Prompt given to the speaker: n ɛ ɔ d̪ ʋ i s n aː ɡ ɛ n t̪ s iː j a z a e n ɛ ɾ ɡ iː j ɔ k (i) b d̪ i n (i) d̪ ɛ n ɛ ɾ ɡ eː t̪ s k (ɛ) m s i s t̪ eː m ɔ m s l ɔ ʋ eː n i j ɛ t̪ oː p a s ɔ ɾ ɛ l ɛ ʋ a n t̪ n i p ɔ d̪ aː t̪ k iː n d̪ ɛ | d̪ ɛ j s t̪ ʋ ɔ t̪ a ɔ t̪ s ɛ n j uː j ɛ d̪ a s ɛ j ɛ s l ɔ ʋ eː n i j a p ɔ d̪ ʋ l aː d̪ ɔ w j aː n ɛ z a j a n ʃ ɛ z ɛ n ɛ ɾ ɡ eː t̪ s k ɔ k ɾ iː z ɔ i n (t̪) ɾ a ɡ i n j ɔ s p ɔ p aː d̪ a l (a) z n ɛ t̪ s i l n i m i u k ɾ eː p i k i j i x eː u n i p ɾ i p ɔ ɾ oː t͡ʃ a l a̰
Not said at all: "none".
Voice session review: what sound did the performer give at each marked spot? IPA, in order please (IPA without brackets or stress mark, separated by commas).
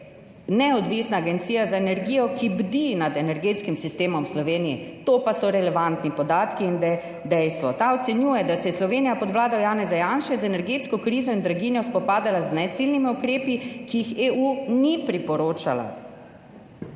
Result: i, a, i, d̪, a